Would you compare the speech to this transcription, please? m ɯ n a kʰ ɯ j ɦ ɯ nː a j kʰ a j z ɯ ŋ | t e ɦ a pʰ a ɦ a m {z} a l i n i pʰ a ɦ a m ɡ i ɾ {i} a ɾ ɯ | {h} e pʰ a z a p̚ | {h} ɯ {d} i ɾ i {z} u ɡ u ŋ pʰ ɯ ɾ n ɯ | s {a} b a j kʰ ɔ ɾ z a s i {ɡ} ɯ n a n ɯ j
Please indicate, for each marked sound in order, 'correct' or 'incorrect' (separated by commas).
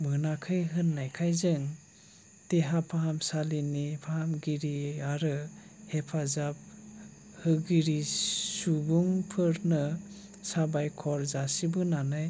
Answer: incorrect, correct, correct, correct, incorrect, incorrect, correct, incorrect